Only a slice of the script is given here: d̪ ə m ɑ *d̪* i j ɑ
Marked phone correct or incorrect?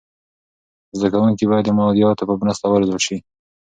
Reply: correct